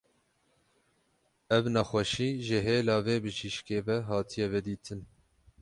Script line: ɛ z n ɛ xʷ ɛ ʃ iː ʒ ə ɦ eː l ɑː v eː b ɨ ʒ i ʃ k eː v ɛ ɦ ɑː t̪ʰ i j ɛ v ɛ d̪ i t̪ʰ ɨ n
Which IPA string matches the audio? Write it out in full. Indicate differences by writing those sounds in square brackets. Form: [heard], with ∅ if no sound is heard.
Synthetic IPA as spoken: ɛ [v] n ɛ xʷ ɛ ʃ iː ʒ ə ɦ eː l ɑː v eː b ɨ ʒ i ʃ k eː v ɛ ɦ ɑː t̪ʰ i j ɛ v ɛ d̪ [iː] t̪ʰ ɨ n

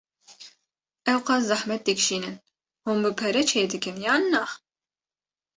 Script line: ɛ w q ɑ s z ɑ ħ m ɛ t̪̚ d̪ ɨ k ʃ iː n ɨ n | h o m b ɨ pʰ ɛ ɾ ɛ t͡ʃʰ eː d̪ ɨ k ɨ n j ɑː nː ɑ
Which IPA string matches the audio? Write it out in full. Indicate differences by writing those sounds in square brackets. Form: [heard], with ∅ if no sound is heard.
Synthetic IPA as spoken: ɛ w q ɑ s z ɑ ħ m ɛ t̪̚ d̪ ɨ k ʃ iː n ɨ n | h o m b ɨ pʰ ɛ ɾ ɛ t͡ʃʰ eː d̪ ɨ k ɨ n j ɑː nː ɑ

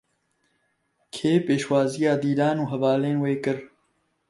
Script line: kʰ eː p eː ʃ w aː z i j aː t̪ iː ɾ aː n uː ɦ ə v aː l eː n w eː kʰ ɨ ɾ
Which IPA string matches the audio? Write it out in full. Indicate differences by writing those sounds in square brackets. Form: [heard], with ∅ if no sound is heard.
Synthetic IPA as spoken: kʰ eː p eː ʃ w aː z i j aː [d̪] iː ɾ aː n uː ɦ [ɐ] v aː l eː n w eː [k] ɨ ɾ

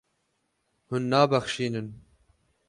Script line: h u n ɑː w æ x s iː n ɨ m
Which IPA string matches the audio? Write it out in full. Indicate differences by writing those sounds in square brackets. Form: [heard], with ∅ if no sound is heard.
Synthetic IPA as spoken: h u [nː] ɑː [b] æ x [ʃ] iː n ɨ [n]

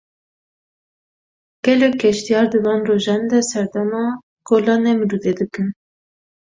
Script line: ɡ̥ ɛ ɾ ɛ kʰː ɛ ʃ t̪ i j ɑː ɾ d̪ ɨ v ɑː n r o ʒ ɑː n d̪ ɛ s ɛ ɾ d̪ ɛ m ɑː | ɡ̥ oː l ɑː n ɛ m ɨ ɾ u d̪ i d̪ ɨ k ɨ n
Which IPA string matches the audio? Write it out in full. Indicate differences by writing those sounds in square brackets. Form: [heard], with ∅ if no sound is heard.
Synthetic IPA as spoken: ɡ̥ ɛ [l] ɛ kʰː ɛ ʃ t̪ i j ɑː ɾ d̪ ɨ v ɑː n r o ʒ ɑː n d̪ ɛ s ɛ ɾ d̪ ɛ m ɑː | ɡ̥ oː l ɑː n ɛ m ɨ ɾ u d̪ [e] d̪ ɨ k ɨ n

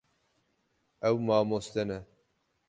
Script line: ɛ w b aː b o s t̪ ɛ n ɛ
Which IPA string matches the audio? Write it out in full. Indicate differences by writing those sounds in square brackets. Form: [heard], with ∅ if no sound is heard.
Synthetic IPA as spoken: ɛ w [m] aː [m] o s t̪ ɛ n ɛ

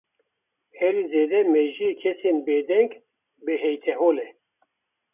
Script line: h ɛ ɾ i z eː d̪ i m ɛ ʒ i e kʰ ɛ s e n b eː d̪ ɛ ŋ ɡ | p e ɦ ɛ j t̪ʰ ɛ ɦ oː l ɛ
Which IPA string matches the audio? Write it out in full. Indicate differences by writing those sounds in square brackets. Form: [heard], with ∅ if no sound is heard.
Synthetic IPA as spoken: h ɛ ɾ i z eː d̪ [ɛ] m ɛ ʒ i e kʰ ɛ s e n b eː d̪ ɛ ŋ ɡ | [b] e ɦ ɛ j t̪ʰ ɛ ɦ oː l ɛ

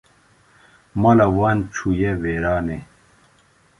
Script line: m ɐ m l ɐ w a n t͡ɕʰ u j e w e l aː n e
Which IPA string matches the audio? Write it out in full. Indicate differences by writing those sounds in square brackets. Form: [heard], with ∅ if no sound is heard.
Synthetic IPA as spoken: m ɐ [∅] l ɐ w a n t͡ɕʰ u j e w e [ɾ] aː n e

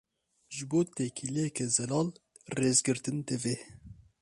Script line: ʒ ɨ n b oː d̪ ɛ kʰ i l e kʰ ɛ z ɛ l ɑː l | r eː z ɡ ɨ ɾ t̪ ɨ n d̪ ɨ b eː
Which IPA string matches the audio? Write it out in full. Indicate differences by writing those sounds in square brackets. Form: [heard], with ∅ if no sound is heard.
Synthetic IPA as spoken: ʒ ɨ [∅] b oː [t̪] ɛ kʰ i l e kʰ ɛ z ɛ l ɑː l | r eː z ɡ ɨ ɾ t̪ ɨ n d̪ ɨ [v] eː

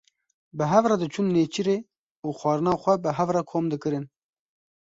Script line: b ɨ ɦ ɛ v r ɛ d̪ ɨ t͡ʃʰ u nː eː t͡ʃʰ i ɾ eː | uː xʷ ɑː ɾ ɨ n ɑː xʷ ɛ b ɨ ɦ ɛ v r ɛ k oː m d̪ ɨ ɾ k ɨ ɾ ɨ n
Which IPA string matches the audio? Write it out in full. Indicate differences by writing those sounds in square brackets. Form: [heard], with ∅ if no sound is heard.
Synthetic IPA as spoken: b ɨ ɦ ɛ v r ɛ d̪ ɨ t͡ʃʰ u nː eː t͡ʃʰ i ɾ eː | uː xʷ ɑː ɾ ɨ n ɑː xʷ ɛ b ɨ ɦ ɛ v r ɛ [kʰ] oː m d̪ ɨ [∅] k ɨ ɾ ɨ n

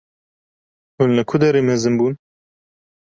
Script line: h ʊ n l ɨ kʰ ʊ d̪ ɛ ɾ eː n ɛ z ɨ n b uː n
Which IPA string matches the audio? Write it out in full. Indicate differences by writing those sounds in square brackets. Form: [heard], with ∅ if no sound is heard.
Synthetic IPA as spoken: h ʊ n l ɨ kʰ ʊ d̪ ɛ ɾ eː [m] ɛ z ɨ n b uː n

